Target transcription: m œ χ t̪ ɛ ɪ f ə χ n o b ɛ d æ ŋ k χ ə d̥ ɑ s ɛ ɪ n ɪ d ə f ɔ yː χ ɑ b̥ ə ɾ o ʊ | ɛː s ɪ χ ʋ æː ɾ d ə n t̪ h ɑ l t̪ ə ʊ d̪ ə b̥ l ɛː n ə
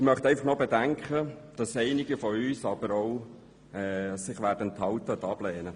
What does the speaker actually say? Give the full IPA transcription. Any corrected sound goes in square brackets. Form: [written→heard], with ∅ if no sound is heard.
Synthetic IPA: m œ χ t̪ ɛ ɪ f [ə→ɑ] χ n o b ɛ d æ ŋ k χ ə d̥ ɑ s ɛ ɪ n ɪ [d→ɡ] ə f ɔ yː [χ→s] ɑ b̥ ə ɾ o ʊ | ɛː s ɪ χ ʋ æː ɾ d ə n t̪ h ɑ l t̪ ə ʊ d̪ [ə→ɑ] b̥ l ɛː n ə